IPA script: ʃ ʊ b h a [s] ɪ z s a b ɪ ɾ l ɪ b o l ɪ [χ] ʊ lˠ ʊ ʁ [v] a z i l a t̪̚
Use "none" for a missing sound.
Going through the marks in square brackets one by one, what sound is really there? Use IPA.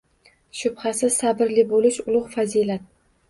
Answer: s, ʃ, f

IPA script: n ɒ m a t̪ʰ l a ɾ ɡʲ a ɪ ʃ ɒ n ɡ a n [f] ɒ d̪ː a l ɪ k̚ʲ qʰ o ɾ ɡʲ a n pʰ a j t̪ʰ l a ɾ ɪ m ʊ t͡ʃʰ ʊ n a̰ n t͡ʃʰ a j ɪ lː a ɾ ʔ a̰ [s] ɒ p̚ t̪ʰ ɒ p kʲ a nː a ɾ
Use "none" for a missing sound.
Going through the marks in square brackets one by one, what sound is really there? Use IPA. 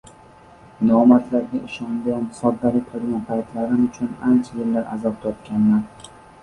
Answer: s, z

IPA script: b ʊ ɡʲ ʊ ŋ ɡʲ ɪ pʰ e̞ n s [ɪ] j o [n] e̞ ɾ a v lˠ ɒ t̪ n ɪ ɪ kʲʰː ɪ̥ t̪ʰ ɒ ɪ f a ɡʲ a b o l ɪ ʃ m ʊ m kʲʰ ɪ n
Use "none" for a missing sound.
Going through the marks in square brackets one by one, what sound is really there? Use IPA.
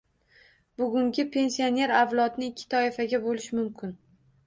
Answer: i, n

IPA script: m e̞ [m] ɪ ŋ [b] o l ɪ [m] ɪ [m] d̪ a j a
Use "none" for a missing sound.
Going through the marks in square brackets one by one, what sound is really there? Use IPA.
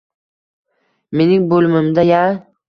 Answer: n, b, m, m

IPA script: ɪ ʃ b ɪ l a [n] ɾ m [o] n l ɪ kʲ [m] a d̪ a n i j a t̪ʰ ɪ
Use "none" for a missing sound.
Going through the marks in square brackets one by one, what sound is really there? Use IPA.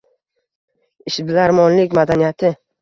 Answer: none, ɒ, m

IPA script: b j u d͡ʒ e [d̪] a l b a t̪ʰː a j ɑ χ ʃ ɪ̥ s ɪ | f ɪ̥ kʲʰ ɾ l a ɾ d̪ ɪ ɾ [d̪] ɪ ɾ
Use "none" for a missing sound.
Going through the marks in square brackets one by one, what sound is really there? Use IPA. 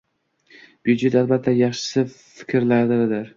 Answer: t̪, d̪

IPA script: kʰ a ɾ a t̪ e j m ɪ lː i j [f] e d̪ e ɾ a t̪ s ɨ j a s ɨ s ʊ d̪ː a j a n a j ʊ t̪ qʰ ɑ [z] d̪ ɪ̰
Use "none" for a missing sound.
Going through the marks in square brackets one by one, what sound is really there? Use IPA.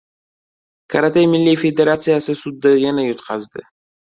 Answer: f, z

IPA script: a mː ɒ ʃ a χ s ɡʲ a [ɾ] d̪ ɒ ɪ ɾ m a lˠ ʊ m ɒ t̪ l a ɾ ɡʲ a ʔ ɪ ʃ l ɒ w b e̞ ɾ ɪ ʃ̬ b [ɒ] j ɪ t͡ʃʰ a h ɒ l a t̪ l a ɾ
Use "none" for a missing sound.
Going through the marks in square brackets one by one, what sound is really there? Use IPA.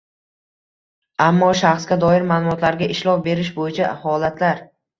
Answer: none, o

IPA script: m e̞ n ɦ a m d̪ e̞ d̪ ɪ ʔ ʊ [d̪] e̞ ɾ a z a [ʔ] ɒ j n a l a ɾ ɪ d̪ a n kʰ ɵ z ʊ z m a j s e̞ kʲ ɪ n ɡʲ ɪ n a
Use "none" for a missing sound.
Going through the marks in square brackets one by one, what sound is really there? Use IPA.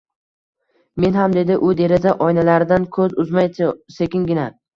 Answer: d̪, ʔ

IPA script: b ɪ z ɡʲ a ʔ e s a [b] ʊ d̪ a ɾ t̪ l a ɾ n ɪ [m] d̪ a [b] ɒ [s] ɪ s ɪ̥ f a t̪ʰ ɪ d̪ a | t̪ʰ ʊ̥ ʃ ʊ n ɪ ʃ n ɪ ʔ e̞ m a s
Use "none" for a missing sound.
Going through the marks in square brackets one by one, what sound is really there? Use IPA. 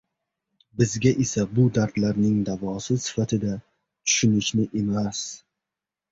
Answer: b, ŋ, v, s

